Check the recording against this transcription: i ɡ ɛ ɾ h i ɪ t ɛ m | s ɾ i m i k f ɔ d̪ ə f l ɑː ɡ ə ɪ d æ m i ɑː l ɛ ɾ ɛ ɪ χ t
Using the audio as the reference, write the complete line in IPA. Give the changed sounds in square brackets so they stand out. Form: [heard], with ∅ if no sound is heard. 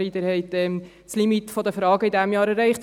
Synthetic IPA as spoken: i [d] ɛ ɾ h [ɛ] ɪ t ɛ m | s [l] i m i [t] f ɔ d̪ ə f [ɾ] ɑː ɡ ə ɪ d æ m [j] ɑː [ɾ] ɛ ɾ ɛ ɪ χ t